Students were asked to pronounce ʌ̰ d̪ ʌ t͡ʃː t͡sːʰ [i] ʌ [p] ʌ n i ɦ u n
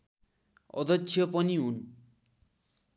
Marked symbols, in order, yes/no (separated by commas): no, yes